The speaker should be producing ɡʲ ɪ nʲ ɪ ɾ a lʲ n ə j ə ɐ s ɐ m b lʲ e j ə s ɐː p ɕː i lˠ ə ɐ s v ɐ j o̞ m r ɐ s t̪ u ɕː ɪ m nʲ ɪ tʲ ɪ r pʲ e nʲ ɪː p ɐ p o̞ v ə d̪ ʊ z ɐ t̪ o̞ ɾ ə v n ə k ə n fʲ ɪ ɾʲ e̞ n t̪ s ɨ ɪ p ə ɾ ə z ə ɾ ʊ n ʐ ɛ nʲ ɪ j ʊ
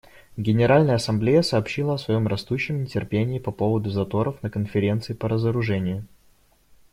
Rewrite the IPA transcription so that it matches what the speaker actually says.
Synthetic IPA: ɡʲ ɪ nʲ ɪ ɾ a lʲ n ə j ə ɐ s ɐ m b lʲ e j ə s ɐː p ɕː i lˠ ə ɐ s v ɐ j o̞ m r ɐ s t̪ u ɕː ɪ m nʲ ɪ tʲ ɪ r pʲ e nʲ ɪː p ɐ p o̞ v ə d̪ ʊ z ɐ t̪ o̞ ɾ ə f n ə k ə n fʲ ɪ ɾʲ e̞ n t̪ s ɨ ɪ p ə ɾ ə z ə ɾ ʊ ʐ ɛ nʲ ɪ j ʊ